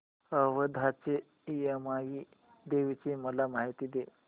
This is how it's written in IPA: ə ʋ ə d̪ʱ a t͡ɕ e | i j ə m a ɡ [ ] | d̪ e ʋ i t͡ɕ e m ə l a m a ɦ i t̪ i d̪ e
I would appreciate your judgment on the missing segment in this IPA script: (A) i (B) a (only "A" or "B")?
A